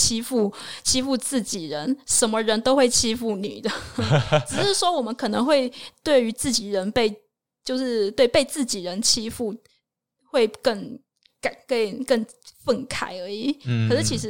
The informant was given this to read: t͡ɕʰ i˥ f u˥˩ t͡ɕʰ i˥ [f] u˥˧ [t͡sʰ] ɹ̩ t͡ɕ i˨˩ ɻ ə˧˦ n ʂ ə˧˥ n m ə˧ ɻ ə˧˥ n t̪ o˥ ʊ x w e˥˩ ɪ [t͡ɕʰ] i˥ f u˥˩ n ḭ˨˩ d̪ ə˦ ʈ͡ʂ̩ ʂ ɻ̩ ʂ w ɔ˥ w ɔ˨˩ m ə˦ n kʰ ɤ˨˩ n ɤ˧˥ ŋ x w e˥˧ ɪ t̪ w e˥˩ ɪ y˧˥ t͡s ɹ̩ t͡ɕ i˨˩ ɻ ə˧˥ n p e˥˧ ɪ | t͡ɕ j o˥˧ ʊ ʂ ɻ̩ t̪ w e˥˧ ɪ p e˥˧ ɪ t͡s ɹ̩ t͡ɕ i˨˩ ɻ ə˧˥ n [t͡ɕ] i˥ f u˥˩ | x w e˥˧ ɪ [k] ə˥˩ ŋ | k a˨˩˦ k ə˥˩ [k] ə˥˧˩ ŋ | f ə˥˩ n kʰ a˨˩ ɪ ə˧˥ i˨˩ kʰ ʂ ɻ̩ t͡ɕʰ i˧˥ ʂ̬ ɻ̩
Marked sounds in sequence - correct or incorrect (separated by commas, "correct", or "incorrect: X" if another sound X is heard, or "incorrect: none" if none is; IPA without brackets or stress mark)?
correct, incorrect: t͡s, correct, incorrect: t͡ɕʰ, correct, correct